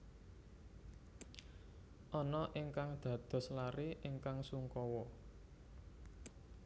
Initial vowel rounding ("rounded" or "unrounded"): rounded